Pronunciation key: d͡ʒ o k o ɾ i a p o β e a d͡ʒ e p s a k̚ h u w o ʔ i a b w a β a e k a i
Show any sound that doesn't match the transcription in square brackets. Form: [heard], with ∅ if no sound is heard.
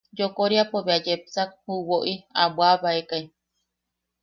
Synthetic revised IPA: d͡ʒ o k o ɾ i a p o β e a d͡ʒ e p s a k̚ h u w o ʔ i a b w a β a e k a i